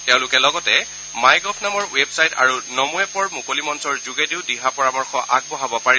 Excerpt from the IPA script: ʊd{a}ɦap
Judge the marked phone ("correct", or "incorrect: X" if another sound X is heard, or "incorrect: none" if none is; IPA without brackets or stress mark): incorrect: i